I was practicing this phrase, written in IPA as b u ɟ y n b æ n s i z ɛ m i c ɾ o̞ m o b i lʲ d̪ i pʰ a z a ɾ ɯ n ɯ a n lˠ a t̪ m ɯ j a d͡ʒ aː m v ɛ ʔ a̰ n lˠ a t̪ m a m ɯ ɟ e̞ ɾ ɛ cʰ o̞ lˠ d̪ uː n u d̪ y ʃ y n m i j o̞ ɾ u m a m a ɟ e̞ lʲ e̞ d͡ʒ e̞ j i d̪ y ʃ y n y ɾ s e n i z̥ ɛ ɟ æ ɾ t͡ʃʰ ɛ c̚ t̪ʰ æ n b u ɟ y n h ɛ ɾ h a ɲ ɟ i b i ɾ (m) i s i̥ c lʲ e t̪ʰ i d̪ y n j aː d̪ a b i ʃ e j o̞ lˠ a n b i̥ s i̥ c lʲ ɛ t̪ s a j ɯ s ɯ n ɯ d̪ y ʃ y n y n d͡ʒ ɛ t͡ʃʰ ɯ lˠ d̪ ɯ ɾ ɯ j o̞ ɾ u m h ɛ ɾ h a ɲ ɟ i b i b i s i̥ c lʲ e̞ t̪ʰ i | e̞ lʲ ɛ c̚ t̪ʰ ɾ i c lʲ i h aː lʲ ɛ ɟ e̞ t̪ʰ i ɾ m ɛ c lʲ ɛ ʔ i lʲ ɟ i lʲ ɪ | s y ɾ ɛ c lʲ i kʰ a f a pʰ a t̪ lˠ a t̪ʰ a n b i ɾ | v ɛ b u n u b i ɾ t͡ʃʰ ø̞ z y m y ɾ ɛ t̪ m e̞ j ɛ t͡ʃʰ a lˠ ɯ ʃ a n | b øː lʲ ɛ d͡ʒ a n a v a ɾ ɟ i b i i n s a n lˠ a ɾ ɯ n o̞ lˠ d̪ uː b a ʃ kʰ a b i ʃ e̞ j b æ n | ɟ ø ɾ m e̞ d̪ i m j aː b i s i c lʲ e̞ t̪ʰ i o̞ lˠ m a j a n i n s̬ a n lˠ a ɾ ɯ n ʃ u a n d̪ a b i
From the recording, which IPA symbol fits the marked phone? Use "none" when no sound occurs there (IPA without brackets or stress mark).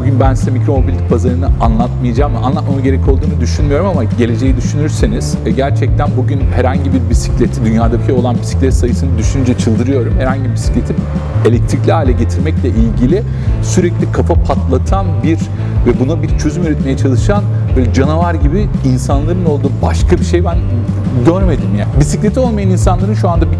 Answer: b